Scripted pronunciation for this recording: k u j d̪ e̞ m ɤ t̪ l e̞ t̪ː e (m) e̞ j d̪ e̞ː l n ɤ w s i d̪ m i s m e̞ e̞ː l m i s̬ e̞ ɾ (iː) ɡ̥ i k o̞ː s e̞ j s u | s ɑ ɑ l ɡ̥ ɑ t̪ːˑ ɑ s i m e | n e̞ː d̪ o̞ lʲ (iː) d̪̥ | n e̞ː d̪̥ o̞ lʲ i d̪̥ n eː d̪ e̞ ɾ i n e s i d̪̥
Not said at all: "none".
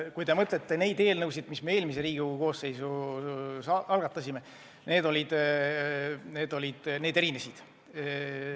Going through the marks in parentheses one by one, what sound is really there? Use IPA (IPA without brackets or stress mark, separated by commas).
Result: n, iː, i